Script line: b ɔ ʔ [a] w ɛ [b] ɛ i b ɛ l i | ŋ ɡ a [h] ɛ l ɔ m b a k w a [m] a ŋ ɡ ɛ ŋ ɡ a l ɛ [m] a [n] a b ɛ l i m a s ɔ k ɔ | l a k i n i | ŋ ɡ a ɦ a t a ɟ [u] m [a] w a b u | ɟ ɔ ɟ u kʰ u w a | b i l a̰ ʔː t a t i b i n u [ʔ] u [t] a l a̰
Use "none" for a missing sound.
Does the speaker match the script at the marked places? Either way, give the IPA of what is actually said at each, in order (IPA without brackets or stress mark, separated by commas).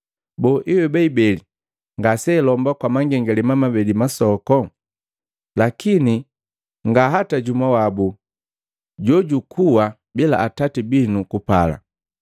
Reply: i, b, s, m, m, m, u, a, k, p